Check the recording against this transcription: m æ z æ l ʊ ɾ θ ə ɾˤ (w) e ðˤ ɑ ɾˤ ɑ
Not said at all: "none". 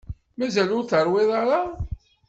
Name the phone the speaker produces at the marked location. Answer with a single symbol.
w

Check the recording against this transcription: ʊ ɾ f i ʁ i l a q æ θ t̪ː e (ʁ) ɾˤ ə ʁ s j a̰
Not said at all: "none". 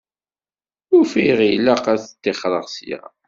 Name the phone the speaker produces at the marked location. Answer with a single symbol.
χ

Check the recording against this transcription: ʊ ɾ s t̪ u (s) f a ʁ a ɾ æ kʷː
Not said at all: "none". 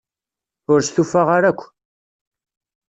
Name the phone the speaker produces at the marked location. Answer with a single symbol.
none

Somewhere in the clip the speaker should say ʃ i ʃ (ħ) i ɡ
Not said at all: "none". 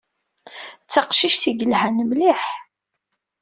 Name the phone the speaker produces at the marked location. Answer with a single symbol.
θ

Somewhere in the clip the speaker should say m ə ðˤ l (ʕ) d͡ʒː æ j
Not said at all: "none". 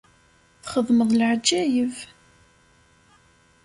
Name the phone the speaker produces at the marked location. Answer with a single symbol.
ʕ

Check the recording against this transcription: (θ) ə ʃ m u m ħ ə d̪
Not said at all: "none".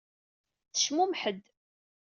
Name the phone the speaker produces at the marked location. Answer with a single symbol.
θ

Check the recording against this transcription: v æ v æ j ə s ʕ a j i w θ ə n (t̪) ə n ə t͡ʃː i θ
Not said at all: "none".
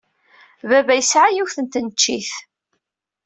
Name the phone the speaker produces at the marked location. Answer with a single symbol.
t̪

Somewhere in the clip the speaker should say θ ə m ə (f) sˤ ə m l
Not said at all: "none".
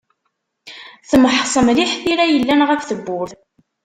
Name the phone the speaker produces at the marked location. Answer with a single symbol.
ħ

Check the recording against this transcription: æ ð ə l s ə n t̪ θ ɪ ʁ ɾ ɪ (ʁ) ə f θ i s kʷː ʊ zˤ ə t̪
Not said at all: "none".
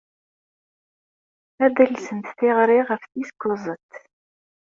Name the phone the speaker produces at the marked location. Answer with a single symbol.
ʁ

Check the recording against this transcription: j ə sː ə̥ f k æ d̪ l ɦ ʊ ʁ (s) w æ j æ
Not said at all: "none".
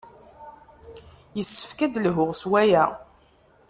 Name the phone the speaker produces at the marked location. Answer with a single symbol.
s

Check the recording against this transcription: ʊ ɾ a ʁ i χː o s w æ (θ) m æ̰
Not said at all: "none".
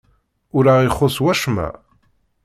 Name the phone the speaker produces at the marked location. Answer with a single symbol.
ʃ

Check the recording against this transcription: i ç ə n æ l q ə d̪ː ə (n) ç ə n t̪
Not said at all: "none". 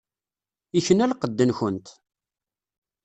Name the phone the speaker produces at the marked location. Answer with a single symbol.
n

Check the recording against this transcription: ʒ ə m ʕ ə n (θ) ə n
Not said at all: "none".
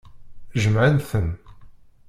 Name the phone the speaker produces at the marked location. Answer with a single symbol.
θ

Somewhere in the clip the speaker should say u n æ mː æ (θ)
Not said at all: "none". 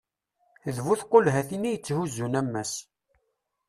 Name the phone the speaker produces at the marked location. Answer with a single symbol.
s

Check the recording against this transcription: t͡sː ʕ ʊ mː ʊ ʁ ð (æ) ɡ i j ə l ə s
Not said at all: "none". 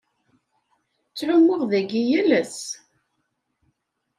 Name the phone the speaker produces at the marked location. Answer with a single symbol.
æ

